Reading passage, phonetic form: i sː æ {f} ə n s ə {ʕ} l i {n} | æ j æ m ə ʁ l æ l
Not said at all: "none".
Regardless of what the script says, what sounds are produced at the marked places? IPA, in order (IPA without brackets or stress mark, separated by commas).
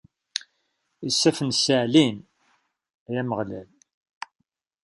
f, ʕ, n